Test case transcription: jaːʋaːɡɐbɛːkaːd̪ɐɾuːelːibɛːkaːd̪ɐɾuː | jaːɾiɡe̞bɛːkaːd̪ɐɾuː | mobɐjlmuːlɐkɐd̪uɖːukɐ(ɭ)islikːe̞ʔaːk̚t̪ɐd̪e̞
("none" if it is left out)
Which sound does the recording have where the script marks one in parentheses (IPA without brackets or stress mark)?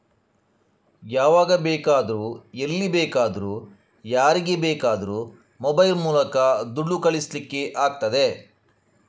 ɭ